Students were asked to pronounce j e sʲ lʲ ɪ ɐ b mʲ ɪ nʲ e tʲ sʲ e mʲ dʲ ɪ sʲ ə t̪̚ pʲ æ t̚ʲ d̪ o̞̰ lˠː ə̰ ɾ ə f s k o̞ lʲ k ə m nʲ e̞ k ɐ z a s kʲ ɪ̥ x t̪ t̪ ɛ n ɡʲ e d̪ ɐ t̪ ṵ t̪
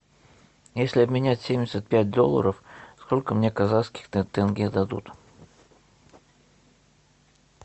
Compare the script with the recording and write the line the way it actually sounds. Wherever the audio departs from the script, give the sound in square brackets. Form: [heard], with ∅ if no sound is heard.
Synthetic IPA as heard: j e sʲ lʲ ɪ ɐ b mʲ ɪ nʲ [æ] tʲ sʲ e mʲ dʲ ɪ sʲ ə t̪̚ pʲ æ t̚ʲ d̪ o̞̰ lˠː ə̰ ɾ ə f s k o̞ lʲ k ə m nʲ e̞ k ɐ z a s kʲ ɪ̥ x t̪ t̪ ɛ n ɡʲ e d̪ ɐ [d̪] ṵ t̪